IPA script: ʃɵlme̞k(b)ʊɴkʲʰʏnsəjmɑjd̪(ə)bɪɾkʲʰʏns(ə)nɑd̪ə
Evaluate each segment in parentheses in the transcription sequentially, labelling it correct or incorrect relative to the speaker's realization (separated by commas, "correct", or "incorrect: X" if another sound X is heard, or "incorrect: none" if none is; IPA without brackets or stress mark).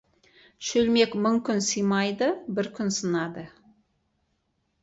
incorrect: m, correct, correct